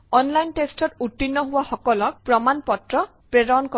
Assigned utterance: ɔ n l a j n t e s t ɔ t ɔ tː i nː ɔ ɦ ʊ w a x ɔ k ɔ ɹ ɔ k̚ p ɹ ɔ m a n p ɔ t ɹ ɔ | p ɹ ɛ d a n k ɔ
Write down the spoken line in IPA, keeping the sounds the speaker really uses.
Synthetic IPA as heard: ɔ n l a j n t e s t ɔ t u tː i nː ɔ ɦ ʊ w a x ɔ k ɔ l ɔ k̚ p ɹ ɔ m a n p ɔ t ɹ ɔ | p ɹ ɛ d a n k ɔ